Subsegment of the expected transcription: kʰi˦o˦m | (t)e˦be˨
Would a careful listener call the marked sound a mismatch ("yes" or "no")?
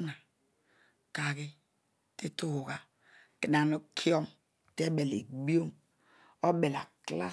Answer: no